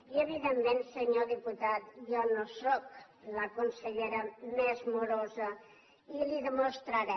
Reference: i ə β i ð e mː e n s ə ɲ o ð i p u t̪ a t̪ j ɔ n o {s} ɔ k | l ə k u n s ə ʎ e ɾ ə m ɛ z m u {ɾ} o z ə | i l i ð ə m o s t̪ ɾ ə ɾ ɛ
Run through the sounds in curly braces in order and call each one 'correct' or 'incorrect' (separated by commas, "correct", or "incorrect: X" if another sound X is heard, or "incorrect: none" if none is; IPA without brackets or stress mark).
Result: correct, correct